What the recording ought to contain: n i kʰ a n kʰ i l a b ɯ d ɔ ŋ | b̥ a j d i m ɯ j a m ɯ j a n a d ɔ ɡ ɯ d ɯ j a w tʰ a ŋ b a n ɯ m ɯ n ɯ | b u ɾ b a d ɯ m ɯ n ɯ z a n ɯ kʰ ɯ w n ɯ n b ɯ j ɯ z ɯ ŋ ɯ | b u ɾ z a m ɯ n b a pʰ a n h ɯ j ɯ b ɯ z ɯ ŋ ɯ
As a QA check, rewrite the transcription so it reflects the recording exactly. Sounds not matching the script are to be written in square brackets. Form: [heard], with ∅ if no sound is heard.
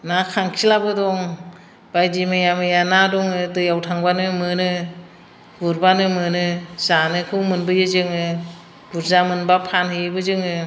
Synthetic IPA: n [a] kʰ a [ŋ] kʰ i l a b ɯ d ɔ ŋ | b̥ a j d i m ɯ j a m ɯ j a n a d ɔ [ŋ] ɯ d ɯ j a w tʰ a ŋ b a n ɯ m ɯ n ɯ | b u ɾ b a [n] ɯ m ɯ n ɯ z a n ɯ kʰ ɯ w [m] ɯ n b ɯ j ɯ z ɯ ŋ ɯ | b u ɾ z a m ɯ n b a pʰ a n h ɯ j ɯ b ɯ z ɯ ŋ ɯ